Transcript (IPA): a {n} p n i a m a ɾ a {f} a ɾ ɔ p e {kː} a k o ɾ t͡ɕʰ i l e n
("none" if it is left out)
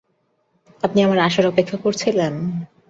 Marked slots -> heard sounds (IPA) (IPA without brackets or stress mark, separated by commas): none, ʃ, kʰː